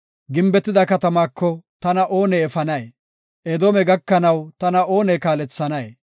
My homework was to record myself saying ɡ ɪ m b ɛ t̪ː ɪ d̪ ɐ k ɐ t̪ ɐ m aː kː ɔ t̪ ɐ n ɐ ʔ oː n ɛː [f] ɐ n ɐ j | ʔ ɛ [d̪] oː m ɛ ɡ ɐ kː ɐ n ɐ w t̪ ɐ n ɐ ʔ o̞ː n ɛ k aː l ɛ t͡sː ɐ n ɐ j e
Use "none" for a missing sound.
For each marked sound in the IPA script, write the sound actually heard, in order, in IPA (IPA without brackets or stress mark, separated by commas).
f, d̪